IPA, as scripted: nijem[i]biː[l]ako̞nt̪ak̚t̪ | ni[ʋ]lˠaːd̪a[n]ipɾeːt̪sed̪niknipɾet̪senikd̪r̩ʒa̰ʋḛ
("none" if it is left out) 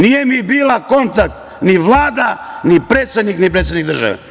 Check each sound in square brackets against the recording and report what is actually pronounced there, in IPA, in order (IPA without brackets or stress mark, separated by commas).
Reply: i, l, ʋ, n